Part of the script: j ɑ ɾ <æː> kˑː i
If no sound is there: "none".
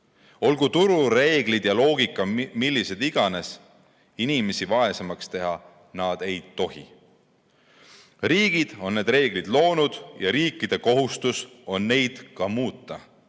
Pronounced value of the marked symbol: iː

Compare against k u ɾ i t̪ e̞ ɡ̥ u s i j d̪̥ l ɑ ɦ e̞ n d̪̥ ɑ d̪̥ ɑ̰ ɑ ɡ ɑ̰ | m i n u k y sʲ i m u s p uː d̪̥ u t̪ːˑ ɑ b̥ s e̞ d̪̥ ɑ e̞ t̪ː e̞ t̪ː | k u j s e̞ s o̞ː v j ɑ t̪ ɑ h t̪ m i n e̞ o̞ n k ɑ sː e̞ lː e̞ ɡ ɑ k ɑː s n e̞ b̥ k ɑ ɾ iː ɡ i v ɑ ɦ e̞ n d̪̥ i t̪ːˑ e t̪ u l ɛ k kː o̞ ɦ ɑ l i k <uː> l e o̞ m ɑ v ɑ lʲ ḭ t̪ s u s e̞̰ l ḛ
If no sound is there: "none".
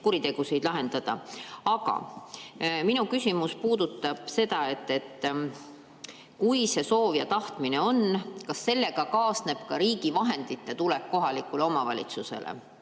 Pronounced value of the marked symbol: u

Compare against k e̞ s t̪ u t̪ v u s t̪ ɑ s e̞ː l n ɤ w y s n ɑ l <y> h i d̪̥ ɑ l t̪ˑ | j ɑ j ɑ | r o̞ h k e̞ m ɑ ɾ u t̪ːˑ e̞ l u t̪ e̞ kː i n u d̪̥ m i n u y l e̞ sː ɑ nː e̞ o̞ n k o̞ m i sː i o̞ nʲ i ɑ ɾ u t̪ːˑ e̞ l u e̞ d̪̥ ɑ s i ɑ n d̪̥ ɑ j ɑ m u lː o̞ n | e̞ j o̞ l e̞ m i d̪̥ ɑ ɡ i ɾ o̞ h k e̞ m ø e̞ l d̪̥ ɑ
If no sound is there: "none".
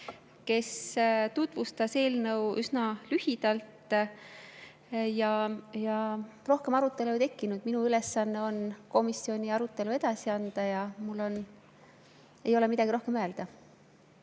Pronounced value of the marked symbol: y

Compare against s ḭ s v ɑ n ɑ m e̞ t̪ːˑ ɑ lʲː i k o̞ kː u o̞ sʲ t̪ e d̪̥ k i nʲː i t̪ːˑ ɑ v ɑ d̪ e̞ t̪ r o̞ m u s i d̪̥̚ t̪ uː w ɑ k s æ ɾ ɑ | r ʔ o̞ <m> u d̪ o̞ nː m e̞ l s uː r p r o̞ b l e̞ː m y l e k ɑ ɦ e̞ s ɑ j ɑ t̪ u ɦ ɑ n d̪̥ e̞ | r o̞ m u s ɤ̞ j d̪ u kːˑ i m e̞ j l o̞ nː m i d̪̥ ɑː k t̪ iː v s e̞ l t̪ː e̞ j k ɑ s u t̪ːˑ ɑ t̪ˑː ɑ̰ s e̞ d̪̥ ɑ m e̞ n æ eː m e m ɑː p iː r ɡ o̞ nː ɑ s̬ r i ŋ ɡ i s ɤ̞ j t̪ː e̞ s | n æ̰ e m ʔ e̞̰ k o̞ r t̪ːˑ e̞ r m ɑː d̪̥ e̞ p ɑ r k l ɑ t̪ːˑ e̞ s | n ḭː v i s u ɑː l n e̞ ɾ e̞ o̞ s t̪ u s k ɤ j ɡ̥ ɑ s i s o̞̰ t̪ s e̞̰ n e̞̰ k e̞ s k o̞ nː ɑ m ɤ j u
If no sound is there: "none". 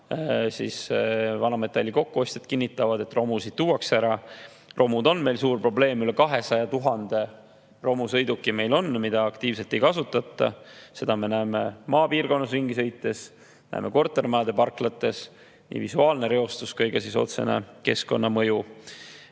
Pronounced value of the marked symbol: m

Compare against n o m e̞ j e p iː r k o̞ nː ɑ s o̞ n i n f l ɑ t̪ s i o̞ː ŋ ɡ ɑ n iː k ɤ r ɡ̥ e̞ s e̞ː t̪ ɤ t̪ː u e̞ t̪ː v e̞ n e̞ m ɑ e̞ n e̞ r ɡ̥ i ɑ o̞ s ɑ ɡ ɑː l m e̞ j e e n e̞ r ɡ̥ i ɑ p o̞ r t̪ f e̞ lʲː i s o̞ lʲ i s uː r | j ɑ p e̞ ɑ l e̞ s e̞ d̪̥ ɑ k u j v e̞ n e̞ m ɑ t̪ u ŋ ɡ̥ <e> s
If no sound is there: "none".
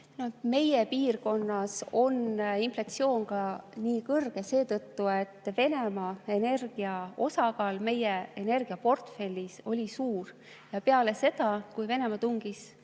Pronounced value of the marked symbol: i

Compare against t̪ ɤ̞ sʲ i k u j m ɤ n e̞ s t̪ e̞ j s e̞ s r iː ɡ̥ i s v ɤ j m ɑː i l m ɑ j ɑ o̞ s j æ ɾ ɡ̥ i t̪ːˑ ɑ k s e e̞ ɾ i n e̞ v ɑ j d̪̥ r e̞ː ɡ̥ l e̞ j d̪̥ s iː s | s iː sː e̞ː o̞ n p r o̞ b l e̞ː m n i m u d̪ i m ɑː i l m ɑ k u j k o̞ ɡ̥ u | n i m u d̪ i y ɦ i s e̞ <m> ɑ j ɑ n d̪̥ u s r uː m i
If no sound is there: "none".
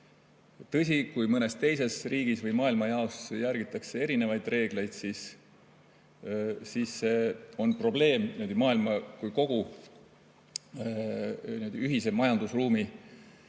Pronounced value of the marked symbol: m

